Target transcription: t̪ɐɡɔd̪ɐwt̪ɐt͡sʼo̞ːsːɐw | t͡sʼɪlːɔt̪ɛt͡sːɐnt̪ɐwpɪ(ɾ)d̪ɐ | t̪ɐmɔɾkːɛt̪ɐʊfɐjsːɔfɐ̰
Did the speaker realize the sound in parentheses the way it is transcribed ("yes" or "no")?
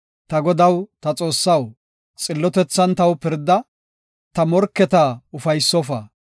yes